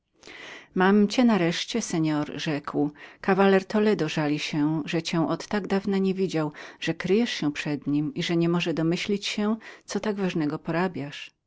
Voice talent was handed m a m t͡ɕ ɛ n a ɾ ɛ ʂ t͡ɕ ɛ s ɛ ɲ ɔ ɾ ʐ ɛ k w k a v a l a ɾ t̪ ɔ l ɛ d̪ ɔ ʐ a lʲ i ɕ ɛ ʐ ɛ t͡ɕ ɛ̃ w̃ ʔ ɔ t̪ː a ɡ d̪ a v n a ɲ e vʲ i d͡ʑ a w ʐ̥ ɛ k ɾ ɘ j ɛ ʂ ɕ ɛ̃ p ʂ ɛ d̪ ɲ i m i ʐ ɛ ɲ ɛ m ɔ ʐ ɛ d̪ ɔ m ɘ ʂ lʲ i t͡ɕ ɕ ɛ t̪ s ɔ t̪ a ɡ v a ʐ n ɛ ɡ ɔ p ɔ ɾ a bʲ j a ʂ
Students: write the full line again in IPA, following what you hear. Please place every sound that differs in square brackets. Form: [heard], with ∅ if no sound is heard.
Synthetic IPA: m a m t͡ɕ ɛ n a ɾ ɛ ʂ t͡ɕ ɛ s ɛ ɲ ɔ ɾ ʐ ɛ k w k a v a l [ɛ] ɾ t̪ ɔ l ɛ d̪ ɔ ʐ a lʲ i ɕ ɛ ʐ ɛ t͡ɕ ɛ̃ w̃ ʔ ɔ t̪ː a ɡ d̪ a v n a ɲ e vʲ i d͡ʑ a w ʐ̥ ɛ k ɾ ɘ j ɛ ʂ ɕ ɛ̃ p ʂ ɛ d̪ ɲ i m i ʐ ɛ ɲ ɛ m ɔ ʐ ɛ d̪ ɔ m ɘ [ɕ] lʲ i t͡ɕ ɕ ɛ t̪ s ɔ t̪ a ɡ v a ʐ n ɛ ɡ ɔ p ɔ ɾ a bʲ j a ʂ